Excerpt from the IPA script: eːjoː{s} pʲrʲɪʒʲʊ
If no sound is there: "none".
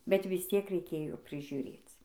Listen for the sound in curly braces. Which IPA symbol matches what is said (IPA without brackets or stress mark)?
none